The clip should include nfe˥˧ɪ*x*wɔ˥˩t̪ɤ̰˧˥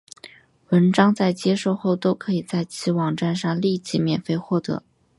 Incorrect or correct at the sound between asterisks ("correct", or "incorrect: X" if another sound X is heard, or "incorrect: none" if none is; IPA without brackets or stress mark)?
correct